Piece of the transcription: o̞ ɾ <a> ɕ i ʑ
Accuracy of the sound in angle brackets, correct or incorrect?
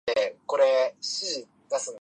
incorrect